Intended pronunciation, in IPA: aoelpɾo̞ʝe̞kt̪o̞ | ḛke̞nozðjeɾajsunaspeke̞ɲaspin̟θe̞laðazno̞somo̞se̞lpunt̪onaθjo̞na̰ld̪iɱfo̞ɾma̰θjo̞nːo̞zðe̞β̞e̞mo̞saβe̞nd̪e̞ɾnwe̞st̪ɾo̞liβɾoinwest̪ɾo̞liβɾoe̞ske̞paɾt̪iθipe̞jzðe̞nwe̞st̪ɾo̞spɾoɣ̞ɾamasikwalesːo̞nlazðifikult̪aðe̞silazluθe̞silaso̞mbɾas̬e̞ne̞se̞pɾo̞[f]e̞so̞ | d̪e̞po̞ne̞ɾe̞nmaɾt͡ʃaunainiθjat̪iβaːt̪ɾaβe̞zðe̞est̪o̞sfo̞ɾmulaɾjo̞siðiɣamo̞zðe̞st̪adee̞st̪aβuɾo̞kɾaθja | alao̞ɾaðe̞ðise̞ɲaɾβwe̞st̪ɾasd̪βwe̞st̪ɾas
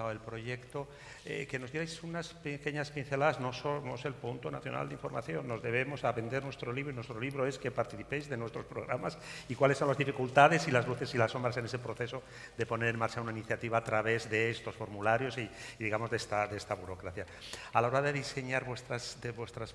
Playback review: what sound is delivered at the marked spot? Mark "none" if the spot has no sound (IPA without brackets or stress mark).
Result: θ